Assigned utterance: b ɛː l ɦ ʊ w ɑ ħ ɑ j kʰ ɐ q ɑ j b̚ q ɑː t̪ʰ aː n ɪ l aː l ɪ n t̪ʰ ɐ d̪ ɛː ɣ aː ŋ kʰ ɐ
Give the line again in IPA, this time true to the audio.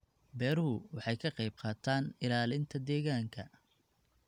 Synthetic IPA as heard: b ɛː ɾ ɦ ʊ w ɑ ħ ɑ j kʰ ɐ q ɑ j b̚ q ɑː t̪ʰ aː n ɪ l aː l ɪ n t̪ʰ ɐ d̪ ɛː ɣ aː ŋ kʰ ɐ